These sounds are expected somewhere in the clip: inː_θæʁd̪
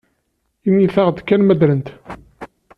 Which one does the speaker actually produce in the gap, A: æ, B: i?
B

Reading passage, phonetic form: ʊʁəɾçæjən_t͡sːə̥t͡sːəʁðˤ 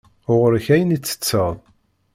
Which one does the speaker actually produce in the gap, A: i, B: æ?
A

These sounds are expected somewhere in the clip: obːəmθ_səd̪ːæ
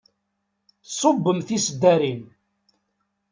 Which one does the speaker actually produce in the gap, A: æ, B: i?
B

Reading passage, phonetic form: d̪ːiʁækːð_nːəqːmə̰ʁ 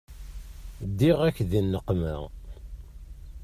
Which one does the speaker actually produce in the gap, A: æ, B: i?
B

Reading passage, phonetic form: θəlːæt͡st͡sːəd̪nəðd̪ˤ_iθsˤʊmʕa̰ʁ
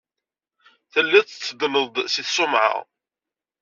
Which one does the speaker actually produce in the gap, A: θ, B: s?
B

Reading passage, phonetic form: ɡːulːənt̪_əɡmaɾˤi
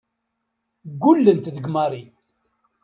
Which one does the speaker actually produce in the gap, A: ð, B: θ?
A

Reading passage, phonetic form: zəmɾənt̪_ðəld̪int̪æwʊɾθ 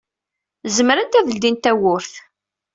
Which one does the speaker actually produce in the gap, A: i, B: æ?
B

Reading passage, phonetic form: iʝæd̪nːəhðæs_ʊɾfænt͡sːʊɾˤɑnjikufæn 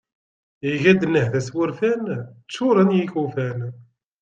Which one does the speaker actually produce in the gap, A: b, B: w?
B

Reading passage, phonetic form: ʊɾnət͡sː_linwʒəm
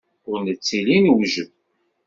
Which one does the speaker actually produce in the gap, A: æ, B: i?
B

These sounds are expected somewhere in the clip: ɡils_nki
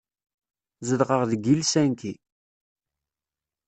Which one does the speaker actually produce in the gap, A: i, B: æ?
B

